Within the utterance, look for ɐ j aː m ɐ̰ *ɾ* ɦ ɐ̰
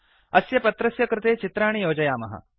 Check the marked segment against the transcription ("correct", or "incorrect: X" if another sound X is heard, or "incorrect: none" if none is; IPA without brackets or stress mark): incorrect: none